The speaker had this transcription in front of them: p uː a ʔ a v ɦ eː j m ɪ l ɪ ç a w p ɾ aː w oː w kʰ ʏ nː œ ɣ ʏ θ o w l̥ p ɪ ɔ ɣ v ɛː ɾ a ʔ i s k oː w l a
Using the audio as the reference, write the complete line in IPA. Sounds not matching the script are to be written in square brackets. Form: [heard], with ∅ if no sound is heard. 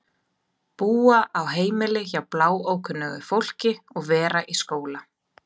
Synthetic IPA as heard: p uː a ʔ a [w] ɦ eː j m ɪ l ɪ ç a w p [l] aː w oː w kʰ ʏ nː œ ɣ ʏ [f] o w l̥ [c] ɪ ɔ ɣ v ɛː ɾ a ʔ i s k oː w l a